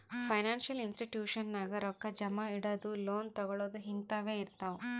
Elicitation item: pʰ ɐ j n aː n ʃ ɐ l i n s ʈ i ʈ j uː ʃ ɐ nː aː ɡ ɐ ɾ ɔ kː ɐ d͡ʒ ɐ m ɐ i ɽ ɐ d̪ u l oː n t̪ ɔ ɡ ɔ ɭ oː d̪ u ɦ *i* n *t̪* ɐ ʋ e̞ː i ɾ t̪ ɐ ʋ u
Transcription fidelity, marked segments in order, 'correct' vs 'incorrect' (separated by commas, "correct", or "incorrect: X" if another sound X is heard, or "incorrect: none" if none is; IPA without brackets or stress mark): correct, correct